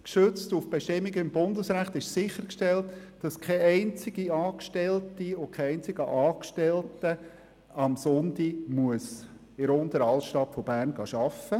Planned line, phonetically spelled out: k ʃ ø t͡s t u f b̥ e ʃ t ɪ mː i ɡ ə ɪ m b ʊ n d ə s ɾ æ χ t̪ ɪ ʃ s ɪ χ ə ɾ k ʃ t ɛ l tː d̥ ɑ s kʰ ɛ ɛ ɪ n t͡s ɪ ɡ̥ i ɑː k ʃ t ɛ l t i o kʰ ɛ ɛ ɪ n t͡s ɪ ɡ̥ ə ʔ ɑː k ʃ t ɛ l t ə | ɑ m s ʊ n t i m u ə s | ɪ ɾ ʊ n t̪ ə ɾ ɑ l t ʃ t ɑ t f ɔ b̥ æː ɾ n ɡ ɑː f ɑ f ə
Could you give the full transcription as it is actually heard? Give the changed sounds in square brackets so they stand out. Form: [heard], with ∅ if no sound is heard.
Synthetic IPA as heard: k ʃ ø t͡s t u f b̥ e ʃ t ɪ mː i ɡ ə ɪ m b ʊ n d ə s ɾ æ χ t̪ ɪ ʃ s ɪ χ ə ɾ k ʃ t ɛ l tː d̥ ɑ s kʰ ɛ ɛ ɪ n t͡s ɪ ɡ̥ i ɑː k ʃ t ɛ l t i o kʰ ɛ ɛ ɪ n t͡s ɪ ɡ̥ ə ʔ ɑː k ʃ t ɛ l t ə | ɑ m s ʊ n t i m u ə s | ɪ ɾ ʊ n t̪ ə ɾ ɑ l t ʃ t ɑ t f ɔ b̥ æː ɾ n ɡ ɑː [ʃ] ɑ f ə